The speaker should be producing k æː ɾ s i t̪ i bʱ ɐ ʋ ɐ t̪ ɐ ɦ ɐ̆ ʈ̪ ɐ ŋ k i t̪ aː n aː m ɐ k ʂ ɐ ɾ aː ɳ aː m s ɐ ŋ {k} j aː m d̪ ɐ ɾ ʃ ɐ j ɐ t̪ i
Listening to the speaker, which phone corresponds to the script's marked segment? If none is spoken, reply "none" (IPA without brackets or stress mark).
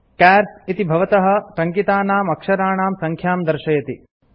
kʰ